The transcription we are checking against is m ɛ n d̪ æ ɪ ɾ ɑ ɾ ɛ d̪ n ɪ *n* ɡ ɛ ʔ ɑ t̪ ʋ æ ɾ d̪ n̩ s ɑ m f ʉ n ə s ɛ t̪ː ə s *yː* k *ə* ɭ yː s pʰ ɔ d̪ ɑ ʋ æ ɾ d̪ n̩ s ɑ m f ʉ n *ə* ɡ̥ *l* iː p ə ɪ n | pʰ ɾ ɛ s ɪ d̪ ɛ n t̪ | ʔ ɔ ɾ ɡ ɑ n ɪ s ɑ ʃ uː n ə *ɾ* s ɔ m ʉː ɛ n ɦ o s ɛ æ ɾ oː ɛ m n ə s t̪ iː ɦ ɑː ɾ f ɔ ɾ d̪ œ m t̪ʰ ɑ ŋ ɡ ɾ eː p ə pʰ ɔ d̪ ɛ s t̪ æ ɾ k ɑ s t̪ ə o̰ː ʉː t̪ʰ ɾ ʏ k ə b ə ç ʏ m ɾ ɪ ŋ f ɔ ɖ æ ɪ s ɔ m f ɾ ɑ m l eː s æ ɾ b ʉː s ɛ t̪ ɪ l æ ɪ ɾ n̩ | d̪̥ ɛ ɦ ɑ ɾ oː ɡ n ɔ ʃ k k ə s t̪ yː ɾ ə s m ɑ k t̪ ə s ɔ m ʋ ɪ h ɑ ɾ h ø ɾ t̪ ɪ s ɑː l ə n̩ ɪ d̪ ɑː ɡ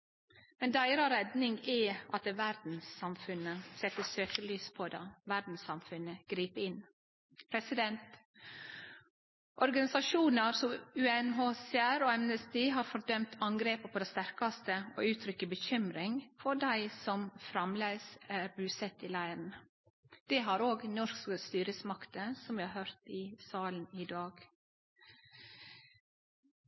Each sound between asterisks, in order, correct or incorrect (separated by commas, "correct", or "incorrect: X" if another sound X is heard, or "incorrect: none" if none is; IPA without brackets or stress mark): incorrect: ŋ, incorrect: øː, correct, correct, incorrect: ɾ, correct